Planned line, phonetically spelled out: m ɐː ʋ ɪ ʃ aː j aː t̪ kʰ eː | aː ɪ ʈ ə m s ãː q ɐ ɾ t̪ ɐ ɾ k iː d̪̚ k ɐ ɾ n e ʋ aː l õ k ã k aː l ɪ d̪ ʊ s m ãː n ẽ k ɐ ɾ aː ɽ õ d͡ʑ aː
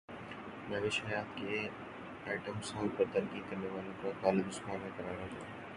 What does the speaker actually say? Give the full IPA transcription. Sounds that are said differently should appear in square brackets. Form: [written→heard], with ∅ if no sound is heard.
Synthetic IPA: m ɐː ʋ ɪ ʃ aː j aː t̪ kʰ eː | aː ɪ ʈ ə m s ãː [q→p] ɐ ɾ t̪ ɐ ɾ k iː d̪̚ k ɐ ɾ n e ʋ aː l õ k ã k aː l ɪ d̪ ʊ s m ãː n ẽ k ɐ ɾ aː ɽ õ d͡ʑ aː

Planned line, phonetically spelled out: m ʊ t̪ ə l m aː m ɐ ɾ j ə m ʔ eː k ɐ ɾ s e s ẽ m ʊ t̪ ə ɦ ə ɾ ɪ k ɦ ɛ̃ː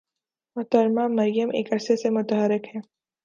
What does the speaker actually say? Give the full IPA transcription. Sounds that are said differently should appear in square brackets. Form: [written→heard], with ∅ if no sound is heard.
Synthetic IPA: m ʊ t̪ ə [l→ɾ] m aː m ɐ ɾ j ə m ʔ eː k ɐ ɾ s e s [ẽ→e] m ʊ t̪ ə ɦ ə ɾ ɪ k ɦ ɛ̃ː

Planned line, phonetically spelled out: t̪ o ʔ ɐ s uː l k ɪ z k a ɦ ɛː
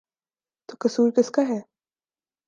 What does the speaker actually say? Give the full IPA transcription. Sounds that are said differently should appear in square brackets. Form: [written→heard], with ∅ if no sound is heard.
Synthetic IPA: t̪ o [ʔ→k] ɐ s uː [l→ɾ] k ɪ [z→s] k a ɦ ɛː

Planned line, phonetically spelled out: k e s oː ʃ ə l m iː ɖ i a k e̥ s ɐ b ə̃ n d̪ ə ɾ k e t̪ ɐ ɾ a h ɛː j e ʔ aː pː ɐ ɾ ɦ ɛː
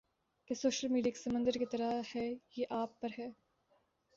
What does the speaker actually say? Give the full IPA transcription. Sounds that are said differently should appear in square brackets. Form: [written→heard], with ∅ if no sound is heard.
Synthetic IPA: k e s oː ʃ ə l m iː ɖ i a k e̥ s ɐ [b→m] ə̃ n d̪ ə ɾ k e t̪ ɐ ɾ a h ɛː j e ʔ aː pː ɐ ɾ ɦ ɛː

